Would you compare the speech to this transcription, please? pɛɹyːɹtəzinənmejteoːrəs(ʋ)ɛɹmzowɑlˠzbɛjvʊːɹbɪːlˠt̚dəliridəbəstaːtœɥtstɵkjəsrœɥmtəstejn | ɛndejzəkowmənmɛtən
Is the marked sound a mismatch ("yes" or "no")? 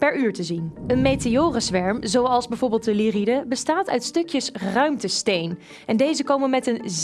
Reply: no